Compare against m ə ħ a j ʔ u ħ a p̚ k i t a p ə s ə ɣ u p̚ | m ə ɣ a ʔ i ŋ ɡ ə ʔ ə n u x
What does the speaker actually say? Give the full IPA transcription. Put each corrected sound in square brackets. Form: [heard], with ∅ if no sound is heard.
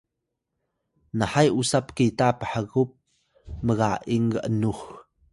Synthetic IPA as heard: [n] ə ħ a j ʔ u [s] a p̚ k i t a p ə [ħ] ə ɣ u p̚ | m ə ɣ a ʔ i ŋ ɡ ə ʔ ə n u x